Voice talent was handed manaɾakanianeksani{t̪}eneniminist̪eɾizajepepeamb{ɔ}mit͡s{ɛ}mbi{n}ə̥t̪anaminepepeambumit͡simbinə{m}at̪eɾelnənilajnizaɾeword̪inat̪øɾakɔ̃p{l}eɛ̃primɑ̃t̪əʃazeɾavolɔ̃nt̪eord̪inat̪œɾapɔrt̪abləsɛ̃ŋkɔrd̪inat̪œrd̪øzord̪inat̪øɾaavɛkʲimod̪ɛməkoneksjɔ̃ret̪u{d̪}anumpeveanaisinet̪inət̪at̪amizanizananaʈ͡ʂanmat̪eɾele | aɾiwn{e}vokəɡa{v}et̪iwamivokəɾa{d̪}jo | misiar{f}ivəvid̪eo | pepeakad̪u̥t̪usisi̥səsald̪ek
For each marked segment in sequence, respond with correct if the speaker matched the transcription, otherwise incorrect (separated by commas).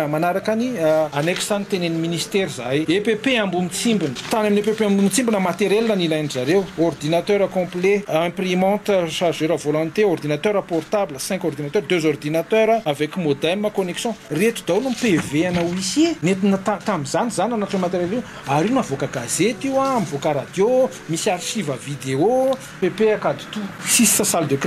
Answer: correct, incorrect, incorrect, correct, correct, correct, correct, incorrect, incorrect, correct, incorrect